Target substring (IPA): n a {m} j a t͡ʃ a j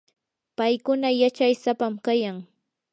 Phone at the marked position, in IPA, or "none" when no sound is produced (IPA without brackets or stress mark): none